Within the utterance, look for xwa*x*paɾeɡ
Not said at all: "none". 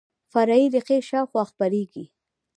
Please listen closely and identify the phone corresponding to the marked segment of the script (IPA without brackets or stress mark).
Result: x